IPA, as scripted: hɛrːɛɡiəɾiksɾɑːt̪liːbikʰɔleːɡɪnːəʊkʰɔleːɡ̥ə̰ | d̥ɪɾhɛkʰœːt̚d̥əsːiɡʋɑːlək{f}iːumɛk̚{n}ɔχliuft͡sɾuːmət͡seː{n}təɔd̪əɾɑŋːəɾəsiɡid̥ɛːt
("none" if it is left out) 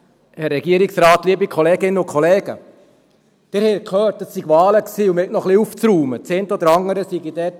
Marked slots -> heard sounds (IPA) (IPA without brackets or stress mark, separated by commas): s, n, n